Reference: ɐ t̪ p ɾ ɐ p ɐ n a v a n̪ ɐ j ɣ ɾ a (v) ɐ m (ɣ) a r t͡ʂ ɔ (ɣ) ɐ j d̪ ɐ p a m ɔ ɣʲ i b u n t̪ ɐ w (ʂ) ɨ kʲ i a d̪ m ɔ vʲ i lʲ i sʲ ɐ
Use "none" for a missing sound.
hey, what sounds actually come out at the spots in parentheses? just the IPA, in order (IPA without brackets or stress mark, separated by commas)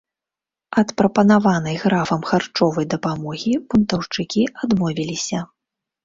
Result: f, x, v, t͡ʂ